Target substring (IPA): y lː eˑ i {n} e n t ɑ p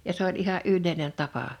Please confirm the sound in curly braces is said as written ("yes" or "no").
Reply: yes